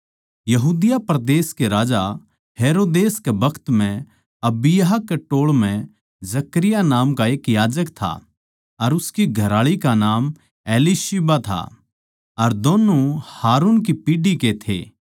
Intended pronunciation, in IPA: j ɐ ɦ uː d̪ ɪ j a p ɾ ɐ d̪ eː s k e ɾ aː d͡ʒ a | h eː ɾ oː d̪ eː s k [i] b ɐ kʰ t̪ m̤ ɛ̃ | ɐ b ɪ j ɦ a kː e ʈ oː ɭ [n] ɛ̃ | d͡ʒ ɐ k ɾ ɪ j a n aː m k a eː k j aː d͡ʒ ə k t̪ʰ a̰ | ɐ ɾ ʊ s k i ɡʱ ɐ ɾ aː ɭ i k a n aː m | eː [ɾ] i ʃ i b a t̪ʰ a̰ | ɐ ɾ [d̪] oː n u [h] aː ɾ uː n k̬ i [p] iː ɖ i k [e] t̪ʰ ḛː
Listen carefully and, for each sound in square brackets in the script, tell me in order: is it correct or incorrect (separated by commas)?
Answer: incorrect, incorrect, incorrect, correct, correct, correct, correct